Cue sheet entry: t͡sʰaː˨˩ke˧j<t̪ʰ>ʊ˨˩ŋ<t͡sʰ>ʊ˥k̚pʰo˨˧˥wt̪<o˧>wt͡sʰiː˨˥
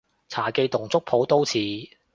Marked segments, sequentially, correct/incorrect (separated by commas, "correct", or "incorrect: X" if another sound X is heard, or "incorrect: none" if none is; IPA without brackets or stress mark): incorrect: t̪, incorrect: t͡s, incorrect: o˥